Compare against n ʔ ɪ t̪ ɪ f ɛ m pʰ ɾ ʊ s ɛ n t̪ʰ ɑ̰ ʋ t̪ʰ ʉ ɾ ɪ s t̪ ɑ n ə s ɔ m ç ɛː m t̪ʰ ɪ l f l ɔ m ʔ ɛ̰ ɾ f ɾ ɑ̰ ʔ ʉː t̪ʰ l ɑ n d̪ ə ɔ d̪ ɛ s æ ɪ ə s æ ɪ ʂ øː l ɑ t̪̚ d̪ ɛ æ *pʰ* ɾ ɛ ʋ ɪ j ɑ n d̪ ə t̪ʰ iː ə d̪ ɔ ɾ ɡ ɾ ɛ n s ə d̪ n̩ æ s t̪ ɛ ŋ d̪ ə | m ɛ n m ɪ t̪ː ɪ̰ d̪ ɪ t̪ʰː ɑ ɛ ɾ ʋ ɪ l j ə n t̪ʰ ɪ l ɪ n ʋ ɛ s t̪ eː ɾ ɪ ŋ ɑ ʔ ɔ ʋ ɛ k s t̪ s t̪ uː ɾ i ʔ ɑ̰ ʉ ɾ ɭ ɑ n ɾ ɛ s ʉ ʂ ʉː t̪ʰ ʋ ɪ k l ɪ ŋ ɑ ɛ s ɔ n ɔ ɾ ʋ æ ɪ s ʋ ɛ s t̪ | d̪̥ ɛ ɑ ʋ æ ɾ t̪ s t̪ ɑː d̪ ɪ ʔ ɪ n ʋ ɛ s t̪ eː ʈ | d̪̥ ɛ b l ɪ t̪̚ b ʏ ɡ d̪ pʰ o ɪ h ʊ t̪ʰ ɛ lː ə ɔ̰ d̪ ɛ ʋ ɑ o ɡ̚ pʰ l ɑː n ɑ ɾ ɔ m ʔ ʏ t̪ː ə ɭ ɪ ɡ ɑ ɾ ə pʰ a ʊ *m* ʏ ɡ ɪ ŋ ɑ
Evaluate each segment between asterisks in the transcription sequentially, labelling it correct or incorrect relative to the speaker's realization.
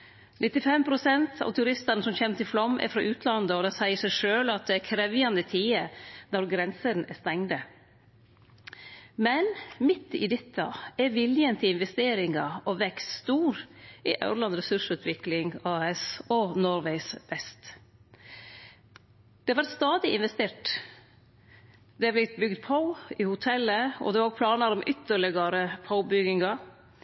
incorrect: kʰ, incorrect: b

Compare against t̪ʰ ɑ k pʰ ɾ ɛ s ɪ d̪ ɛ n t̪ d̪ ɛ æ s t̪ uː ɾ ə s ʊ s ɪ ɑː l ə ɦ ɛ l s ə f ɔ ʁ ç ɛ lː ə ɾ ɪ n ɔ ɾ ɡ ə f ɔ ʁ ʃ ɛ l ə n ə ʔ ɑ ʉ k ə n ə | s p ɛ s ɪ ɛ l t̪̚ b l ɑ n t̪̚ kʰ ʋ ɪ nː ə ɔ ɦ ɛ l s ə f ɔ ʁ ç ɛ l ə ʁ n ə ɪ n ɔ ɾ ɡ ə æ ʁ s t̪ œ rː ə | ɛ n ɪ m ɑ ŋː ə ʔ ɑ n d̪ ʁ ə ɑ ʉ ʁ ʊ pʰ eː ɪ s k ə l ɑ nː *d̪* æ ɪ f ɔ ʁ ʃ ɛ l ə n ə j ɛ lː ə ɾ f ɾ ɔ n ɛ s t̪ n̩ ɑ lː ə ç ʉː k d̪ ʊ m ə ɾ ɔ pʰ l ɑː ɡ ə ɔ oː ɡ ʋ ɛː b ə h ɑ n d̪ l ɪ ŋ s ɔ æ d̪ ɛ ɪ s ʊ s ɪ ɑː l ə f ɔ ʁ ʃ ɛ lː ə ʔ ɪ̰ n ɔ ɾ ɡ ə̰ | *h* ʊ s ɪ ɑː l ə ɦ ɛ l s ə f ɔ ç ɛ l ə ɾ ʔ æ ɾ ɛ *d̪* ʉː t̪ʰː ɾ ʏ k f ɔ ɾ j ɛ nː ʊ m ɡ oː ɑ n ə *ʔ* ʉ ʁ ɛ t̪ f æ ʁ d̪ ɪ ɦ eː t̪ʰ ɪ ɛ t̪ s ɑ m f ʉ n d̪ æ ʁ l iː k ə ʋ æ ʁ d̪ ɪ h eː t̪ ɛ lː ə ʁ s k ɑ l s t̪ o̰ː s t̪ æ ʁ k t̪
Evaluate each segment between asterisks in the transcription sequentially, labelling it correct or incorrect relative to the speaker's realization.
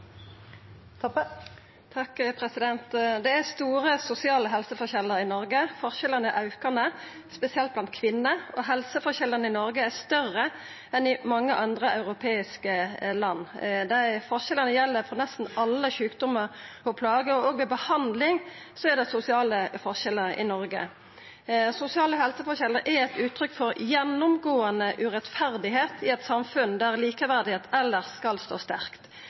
correct, incorrect: s, incorrect: t̪, correct

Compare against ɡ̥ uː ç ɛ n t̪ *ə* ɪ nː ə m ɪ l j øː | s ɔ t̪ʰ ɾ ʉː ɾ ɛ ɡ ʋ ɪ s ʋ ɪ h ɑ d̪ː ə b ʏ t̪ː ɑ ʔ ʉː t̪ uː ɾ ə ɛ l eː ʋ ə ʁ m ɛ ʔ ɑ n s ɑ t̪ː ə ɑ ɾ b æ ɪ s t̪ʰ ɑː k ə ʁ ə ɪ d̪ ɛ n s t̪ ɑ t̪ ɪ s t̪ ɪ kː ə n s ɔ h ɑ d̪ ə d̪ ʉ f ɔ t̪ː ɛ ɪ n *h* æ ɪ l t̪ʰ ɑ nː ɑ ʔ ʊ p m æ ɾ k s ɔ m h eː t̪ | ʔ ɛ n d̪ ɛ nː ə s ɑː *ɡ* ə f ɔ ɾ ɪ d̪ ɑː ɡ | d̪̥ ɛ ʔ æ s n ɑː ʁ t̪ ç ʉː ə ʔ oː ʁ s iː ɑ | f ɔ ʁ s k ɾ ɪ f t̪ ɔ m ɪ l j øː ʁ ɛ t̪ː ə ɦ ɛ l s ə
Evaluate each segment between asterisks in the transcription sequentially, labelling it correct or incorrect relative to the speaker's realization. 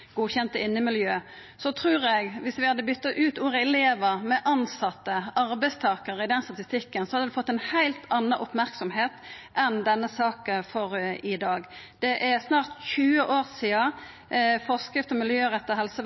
correct, correct, incorrect: k

